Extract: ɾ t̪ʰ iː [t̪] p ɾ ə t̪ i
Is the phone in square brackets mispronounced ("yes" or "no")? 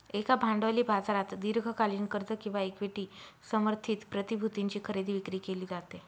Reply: no